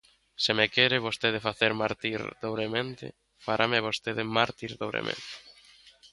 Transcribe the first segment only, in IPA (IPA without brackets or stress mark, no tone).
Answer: s